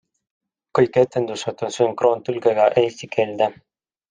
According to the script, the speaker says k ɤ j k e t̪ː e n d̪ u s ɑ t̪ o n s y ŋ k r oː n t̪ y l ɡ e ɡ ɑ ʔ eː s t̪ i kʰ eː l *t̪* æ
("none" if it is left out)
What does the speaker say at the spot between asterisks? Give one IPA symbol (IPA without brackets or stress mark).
d̪